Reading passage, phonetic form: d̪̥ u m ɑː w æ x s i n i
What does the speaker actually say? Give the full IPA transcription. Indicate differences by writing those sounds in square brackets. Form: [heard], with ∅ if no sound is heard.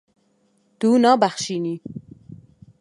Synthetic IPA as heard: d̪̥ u [n] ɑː [b] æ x [ʃ] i n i